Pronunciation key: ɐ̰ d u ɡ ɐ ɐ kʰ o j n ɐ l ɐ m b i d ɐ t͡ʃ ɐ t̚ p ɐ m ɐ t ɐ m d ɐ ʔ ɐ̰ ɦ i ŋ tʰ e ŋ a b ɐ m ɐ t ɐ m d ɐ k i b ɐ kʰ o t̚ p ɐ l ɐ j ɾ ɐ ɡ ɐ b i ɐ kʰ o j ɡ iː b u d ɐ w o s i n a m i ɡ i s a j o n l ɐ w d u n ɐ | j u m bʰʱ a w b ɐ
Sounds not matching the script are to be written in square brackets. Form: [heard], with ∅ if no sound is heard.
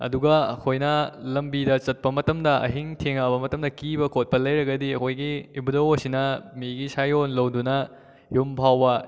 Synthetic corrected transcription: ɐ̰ d u ɡ ɐ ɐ kʰ o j n ɐ l ɐ m b i d ɐ t͡ʃ ɐ t̚ p ɐ m ɐ t ɐ m d ɐ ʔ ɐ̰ ɦ i ŋ tʰ e ŋ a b ɐ m ɐ t ɐ m d ɐ k i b ɐ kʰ o t̚ p ɐ l ɐ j ɾ ɐ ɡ ɐ [d] i ɐ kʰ o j ɡ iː b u d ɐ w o s i n [ɐ] m i ɡ i s a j o n l ɐ w d u n ɐ | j u m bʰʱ a w b ɐ